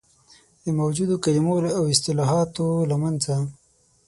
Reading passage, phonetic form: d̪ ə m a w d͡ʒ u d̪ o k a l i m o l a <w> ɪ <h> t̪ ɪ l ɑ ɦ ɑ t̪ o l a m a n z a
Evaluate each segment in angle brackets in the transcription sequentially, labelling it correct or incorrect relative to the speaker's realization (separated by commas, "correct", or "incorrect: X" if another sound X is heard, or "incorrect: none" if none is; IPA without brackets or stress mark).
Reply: correct, incorrect: s